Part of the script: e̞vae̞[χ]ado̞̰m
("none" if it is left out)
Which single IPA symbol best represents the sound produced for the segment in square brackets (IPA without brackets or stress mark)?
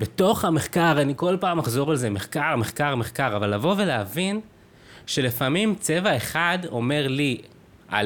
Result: χ